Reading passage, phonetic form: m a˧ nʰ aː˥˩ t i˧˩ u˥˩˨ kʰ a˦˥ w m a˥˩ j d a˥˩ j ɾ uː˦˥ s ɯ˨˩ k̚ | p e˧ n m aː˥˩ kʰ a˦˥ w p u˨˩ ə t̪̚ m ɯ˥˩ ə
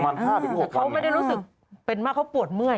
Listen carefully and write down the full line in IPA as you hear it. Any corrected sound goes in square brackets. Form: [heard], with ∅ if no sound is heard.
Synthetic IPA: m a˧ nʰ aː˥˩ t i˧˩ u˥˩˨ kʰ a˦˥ w m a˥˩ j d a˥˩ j ɾ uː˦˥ s ɯ˨˩ k̚ | p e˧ n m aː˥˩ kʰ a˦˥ w p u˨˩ ə t̪̚ m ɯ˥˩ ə